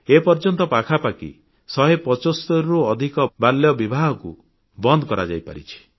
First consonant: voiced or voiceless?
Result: voiceless